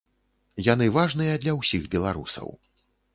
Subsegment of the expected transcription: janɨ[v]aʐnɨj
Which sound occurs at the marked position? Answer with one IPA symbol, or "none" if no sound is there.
v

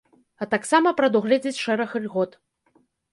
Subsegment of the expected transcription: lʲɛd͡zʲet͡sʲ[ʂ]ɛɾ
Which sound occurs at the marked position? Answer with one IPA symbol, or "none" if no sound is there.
ʂ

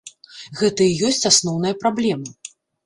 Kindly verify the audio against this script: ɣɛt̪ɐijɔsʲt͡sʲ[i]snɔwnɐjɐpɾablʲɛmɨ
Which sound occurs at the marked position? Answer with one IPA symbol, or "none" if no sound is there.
a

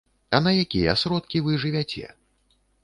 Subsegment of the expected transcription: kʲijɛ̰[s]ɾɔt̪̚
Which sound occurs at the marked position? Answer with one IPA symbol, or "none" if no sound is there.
s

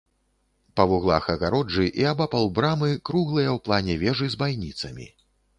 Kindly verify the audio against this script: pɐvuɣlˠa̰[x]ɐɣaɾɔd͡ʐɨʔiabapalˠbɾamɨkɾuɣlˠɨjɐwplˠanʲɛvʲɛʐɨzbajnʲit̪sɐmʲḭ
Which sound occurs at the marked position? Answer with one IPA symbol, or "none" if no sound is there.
x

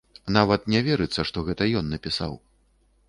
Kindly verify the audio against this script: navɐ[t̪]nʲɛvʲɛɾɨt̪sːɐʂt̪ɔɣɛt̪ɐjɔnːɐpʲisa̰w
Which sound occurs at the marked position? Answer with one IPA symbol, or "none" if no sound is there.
t̪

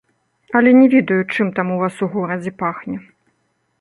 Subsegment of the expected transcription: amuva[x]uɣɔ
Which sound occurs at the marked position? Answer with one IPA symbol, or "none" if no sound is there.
s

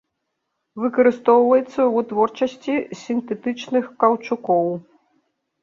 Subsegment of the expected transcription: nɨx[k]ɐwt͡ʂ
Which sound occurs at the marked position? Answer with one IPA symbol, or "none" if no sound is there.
k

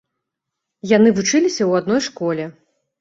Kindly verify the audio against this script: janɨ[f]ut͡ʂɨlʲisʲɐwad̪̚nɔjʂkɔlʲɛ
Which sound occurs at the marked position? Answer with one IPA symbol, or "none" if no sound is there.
v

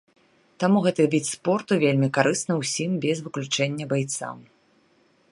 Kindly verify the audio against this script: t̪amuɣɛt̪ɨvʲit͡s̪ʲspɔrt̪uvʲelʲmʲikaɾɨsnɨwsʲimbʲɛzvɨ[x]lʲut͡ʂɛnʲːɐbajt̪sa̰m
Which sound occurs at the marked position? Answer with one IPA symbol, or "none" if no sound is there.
k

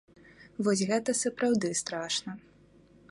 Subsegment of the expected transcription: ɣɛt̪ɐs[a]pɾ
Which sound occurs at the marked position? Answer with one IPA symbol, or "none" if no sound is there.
ɐ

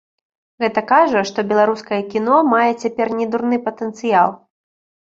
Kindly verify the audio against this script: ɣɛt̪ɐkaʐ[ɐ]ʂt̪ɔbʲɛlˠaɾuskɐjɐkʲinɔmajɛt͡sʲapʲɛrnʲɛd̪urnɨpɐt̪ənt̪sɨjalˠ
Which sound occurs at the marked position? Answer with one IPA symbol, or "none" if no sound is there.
ɐ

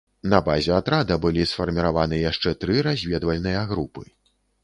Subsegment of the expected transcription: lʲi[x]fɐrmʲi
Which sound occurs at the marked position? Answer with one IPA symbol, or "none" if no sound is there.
s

